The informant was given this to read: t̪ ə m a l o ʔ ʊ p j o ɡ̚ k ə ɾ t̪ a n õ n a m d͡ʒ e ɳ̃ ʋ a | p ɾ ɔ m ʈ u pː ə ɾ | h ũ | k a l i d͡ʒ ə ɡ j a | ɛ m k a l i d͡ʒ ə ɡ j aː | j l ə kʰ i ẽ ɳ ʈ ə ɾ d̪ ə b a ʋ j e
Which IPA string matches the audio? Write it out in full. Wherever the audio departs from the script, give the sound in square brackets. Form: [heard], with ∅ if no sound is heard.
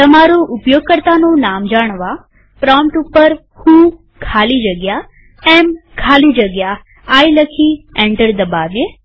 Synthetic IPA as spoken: t̪ ə m a [ɾ] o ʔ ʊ p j o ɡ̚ k ə ɾ t̪ a n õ n a m d͡ʒ [a] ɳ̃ ʋ a | p ɾ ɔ m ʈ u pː ə ɾ | h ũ | [kʰ] a l i d͡ʒ ə ɡ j a | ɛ m [kʰ] a l i d͡ʒ ə ɡ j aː | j l ə kʰ i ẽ ɳ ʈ ə ɾ d̪ ə b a ʋ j e